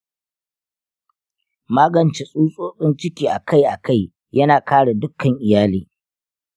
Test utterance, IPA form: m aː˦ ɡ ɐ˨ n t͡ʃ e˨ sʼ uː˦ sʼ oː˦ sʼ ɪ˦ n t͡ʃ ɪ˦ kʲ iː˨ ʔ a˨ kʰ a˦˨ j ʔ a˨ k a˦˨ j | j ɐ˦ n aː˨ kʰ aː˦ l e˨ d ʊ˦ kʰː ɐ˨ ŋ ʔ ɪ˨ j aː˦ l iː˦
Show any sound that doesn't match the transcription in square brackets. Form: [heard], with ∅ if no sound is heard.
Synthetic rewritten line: m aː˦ ɡ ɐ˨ n t͡ʃ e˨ sʼ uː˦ sʼ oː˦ sʼ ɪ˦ n t͡ʃ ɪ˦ kʲ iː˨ ʔ a˨ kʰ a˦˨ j ʔ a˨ k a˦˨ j | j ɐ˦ n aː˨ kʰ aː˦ [ɽ] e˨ d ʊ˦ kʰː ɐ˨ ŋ ʔ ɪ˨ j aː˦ l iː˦